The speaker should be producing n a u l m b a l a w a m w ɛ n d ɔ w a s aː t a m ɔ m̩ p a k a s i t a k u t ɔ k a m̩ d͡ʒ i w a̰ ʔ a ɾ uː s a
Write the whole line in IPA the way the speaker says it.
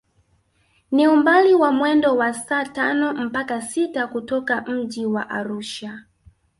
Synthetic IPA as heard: n i u m b a l i w a m w ɛ n d ɔ w a s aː t a n ɔ m̩ p a k a s i t a k u t ɔ k a m̩ d͡ʒ i w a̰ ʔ a ɾ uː ʃ a